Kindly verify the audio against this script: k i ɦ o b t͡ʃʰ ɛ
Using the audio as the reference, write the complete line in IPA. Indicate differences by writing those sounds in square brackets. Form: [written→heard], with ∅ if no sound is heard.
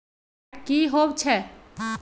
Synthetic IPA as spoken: k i ɦ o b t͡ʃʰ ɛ